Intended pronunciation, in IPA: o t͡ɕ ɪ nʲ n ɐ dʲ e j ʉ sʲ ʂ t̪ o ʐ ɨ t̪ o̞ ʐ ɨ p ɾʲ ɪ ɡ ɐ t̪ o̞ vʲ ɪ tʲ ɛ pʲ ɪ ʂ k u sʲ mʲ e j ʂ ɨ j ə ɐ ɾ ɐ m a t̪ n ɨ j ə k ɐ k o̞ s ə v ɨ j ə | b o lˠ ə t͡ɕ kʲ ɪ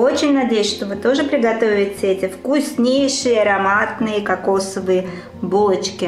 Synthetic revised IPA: o t͡ɕ ɪ nʲ n ɐ dʲ e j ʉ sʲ ʂ t̪ o v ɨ t̪ o̞ ʐ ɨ p ɾʲ ɪ ɡ ɐ t̪ o̞ vʲ ɪ tʲ ɛ tʲ ɪ f k u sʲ nʲ e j ʂ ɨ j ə ɐ ɾ ɐ m a t̪ n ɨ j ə k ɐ k o̞ s ə v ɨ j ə | b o lˠ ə t͡ɕ kʲ ɪ

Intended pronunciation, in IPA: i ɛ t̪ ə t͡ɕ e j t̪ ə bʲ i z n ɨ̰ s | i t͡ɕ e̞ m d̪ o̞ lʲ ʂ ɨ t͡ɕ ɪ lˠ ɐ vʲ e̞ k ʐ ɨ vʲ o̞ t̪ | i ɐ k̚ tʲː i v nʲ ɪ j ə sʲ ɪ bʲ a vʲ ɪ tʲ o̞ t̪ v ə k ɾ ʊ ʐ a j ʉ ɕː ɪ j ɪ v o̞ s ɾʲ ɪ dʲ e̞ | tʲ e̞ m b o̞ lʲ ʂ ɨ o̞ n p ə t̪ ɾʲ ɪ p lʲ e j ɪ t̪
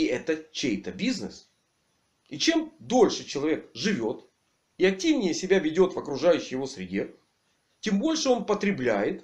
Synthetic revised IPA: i ɛ t̪ ə t͡ɕ e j t̪ ə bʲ i z n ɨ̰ s | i t͡ɕ e̞ m d̪ o̞ lʲ ʂ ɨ t͡ɕ ɪ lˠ ɐ vʲ e̞ k ʐ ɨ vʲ o̞ t̪ | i ɐ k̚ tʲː i v nʲ ɪ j ə sʲ ɪ bʲ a vʲ ɪ dʲ o̞ t̪ v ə k ɾ ʊ ʐ a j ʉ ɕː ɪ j ɪ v o̞ s ɾʲ ɪ dʲ e̞ | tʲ e̞ m b o̞ lʲ ʂ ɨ o̞ n p ə t̪ ɾʲ ɪ b lʲ æ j ɪ t̪

